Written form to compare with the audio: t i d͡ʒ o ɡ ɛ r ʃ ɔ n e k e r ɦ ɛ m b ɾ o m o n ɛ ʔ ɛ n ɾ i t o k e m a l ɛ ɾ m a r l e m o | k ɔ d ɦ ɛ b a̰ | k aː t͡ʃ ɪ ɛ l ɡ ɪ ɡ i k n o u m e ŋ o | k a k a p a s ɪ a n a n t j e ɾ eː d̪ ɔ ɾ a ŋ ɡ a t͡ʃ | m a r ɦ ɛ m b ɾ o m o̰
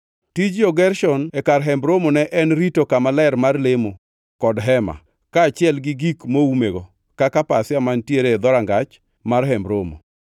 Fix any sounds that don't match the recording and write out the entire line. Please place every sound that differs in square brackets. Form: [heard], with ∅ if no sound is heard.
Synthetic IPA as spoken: t i d͡ʒ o ɡ ɛ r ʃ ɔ n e k [a] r ɦ ɛ m b ɾ o m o n ɛ ʔ ɛ n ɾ i t o k [a] m a l ɛ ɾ m a r l e m o | k ɔ d ɦ ɛ [m] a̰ | k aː t͡ʃ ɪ ɛ l ɡ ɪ ɡ i k [m] o u m e [ɡ] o | k a k a p a s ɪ a [m] a n t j e ɾ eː d̪ ɔ ɾ a ŋ ɡ a t͡ʃ | m a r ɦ ɛ m b ɾ o m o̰